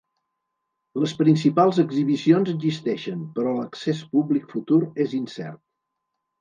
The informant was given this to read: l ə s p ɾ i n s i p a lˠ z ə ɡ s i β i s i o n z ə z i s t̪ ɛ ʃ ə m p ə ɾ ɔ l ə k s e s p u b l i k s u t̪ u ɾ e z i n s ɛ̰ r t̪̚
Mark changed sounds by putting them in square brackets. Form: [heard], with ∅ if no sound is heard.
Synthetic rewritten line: l ə s p ɾ i n s i p a lˠ z ə ɡ [z] i β i s i o n z ə z i s t̪ ɛ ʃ ə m p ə ɾ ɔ l ə k s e s p u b l i k [f] u t̪ u ɾ e z i n s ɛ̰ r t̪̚